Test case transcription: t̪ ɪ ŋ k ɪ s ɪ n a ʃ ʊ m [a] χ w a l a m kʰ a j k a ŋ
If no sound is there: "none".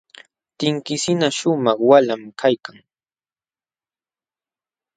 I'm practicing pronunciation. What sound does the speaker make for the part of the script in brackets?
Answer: ɑ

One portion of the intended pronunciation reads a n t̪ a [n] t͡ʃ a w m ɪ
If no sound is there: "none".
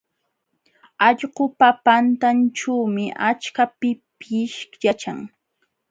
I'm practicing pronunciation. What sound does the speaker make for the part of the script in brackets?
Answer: n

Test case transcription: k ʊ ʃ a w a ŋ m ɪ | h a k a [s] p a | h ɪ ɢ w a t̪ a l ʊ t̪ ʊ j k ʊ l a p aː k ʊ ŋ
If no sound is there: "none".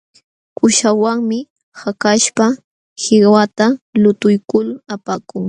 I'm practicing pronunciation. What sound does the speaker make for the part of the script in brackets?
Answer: ʃ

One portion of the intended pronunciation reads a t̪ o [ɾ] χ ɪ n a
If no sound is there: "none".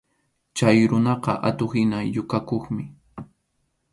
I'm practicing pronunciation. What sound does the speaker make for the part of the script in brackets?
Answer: none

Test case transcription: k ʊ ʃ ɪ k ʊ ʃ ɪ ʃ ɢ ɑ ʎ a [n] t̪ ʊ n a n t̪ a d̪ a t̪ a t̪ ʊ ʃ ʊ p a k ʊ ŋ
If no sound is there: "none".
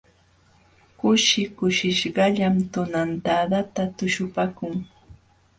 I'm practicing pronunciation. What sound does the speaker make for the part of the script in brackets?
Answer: m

